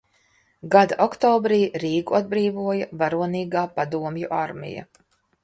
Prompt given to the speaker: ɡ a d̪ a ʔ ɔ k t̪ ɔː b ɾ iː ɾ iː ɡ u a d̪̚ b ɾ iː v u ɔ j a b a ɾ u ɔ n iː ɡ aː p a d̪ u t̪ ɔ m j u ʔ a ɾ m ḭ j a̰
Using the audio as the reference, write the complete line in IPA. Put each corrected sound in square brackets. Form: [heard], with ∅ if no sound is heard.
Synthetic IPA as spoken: ɡ a d̪ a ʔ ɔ k t̪ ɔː b ɾ iː ɾ iː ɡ u a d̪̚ b ɾ iː v u ɔ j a [v] a ɾ u ɔ n iː ɡ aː p a d̪ u [∅] ɔ m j u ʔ a ɾ m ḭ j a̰